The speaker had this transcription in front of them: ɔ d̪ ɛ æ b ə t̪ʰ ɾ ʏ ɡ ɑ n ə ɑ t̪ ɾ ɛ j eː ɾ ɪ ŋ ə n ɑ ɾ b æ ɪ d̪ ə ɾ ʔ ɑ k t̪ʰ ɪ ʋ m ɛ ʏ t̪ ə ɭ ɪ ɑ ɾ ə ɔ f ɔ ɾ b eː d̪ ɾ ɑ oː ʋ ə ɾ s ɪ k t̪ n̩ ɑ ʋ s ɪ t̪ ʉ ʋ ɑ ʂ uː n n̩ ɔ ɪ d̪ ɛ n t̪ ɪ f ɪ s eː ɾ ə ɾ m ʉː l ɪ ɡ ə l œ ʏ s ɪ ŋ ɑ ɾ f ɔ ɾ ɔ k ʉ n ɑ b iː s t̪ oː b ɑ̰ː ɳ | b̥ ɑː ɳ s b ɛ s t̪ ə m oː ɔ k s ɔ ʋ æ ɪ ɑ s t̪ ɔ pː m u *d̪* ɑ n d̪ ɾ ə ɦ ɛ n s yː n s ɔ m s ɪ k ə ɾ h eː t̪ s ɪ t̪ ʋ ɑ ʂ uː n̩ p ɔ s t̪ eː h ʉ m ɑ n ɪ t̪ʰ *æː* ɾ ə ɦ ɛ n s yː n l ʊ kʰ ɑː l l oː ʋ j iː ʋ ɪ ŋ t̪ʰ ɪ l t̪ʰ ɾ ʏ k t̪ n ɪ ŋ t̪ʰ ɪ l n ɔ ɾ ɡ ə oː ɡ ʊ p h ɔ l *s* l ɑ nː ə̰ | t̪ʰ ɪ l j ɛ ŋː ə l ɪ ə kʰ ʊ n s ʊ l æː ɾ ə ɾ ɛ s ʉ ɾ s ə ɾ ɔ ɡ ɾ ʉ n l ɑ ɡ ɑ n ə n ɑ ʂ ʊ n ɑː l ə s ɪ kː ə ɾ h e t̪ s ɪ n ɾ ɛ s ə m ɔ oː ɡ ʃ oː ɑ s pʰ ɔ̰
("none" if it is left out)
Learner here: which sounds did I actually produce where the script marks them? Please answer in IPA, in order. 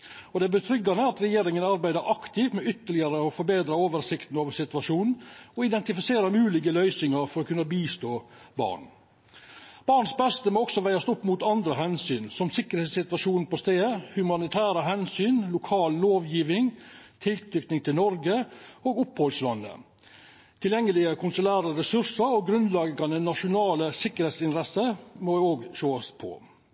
t̪, æː, s

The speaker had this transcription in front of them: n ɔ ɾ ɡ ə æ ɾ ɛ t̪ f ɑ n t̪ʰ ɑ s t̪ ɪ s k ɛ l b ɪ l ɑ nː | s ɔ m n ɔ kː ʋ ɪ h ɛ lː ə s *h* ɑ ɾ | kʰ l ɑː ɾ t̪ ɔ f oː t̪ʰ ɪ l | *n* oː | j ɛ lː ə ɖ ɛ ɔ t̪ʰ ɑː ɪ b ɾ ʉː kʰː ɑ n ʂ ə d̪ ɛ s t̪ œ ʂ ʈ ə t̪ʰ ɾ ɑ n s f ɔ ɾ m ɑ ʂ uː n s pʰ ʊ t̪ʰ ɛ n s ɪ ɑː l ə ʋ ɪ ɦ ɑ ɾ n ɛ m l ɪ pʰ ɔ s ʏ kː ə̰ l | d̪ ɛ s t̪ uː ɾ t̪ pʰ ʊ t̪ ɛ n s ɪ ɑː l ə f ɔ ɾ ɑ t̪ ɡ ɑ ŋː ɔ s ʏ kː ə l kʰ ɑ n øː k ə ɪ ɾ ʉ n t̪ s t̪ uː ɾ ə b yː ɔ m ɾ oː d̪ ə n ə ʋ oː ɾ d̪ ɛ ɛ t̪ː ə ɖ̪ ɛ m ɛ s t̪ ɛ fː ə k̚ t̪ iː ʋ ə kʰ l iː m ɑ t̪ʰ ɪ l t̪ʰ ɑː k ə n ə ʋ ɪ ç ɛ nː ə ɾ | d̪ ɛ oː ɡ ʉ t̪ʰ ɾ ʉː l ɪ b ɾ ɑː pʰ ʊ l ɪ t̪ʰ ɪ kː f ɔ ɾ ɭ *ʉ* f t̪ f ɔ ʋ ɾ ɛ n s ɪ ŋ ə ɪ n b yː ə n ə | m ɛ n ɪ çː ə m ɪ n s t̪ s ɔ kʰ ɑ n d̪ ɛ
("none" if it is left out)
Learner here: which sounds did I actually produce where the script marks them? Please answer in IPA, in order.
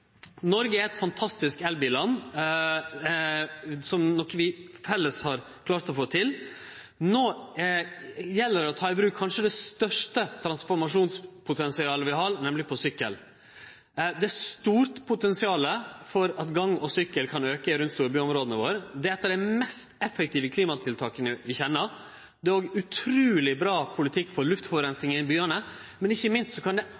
h, n, ʉ

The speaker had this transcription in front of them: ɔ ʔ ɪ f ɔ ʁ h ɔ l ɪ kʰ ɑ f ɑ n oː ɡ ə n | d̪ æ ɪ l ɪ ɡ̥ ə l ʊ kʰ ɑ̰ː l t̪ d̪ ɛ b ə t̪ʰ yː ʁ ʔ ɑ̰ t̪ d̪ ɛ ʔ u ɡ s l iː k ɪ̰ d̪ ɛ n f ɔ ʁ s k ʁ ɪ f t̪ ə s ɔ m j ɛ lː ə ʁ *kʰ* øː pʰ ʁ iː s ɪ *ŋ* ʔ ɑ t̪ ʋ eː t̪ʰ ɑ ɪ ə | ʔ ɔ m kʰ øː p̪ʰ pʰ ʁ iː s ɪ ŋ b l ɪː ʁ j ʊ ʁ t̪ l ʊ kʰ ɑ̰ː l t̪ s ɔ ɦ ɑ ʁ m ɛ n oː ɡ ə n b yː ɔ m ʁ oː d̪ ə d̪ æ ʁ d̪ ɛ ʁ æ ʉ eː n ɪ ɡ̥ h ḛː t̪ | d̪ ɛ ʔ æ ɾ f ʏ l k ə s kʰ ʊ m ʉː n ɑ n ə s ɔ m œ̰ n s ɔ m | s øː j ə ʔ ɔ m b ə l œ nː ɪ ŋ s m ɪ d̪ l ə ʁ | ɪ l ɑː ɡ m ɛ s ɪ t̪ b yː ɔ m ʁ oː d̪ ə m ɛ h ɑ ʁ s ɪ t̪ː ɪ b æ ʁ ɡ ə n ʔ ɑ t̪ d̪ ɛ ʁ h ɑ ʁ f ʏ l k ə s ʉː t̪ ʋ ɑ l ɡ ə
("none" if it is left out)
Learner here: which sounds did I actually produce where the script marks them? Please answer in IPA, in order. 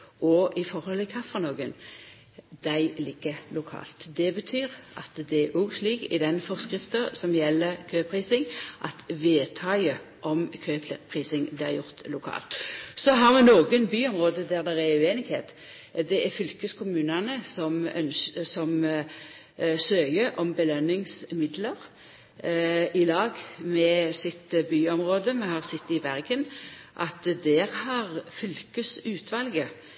kʰ, ŋ

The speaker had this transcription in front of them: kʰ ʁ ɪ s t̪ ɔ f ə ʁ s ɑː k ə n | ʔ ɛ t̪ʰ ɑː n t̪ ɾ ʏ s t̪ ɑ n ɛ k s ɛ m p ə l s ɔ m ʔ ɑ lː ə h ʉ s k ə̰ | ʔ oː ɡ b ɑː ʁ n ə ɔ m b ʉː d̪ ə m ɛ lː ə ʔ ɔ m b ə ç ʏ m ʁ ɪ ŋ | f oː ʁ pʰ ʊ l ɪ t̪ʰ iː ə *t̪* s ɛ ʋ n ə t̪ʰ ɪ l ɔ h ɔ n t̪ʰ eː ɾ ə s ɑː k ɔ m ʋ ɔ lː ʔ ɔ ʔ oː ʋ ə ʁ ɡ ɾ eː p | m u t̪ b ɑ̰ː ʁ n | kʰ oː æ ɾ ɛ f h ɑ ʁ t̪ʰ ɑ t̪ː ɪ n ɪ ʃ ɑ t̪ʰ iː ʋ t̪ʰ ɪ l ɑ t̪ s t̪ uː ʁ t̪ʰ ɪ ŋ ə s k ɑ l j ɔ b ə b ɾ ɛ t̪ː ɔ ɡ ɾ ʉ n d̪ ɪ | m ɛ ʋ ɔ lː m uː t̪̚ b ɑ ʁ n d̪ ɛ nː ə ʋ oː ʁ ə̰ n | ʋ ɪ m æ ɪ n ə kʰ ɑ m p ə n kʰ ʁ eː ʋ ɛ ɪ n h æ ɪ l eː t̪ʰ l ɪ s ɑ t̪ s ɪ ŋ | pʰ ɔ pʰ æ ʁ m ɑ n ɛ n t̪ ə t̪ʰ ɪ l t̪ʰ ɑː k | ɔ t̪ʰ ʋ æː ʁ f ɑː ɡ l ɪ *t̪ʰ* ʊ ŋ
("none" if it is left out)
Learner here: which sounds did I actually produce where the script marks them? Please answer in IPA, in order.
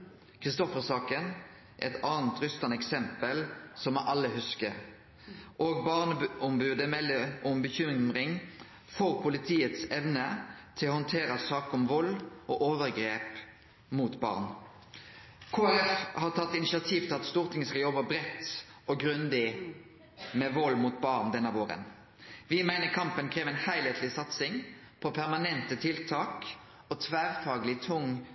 t̪, t̪ʰ

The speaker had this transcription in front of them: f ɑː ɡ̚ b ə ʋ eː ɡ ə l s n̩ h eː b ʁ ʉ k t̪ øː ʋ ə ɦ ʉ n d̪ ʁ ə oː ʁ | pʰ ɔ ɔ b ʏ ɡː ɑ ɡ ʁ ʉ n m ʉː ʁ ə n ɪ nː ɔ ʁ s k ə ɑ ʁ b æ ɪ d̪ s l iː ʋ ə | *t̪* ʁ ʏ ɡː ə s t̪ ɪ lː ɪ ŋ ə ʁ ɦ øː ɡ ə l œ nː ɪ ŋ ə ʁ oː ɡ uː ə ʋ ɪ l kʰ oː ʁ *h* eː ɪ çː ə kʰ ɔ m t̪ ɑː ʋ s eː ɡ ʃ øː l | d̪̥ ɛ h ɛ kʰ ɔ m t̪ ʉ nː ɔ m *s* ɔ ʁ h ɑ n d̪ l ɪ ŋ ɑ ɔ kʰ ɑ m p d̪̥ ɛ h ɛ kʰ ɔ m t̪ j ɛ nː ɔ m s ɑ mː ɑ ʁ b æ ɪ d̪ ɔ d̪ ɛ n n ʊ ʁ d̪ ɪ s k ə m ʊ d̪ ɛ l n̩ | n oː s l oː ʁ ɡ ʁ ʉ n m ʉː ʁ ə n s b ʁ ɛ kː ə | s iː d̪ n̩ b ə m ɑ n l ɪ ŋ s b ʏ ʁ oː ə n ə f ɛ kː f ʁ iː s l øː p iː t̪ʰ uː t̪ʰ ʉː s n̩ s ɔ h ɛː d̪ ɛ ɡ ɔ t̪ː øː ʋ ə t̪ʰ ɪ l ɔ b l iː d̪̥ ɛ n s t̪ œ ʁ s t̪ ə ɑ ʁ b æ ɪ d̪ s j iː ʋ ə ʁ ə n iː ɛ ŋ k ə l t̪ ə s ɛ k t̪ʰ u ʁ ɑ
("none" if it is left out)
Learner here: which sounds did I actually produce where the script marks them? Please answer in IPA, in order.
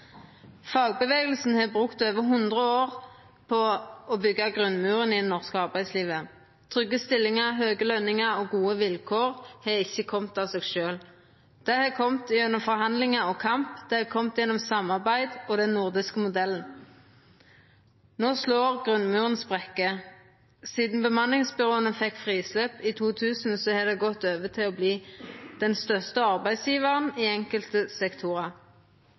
t̪ʰ, h, f

